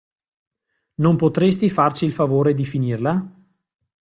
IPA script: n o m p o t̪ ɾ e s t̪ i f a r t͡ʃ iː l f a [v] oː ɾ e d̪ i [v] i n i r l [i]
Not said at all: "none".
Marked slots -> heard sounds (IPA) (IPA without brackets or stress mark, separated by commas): v, f, a